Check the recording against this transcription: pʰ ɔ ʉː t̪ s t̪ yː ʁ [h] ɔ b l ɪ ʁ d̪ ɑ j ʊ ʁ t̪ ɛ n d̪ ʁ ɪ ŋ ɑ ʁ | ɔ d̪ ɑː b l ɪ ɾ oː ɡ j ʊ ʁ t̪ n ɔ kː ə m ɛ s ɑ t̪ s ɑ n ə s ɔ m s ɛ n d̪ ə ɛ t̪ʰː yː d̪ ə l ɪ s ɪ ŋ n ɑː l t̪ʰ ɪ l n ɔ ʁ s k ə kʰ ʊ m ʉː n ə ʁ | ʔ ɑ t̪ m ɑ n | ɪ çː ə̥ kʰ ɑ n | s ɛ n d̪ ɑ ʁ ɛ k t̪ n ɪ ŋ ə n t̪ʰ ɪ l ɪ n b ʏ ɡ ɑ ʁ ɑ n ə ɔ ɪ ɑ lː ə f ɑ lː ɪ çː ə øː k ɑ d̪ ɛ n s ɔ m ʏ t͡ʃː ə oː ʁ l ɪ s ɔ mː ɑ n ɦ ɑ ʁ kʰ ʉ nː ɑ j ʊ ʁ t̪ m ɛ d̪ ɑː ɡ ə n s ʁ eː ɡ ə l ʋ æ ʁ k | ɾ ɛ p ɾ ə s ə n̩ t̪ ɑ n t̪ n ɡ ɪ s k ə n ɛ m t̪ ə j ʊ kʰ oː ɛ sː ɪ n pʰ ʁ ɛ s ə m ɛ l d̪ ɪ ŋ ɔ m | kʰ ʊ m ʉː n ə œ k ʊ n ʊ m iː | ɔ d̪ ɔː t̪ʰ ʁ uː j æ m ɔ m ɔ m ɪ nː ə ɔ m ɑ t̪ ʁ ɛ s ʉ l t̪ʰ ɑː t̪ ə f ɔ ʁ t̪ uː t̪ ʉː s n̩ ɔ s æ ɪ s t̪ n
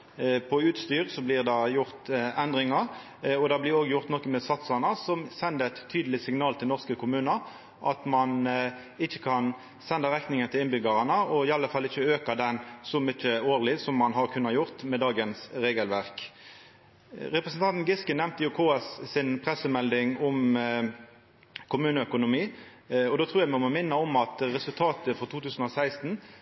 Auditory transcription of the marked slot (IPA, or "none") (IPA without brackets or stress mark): s